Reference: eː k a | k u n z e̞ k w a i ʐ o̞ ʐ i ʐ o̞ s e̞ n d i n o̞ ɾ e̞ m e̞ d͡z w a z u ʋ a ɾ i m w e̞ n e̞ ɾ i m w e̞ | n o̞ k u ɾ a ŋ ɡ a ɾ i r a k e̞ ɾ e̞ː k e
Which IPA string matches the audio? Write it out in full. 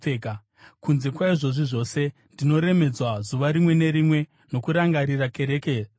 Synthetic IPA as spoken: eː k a | k u n z e̞ k w a i ʐ o̞ ʐ i ʐ o̞ s e̞ n d i n o̞ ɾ e̞ m e̞ d͡z w a z u ʋ a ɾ i m w e̞ n e̞ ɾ i m w e̞ | n o̞ k u ɾ a ŋ ɡ a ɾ i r a k e̞ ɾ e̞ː k e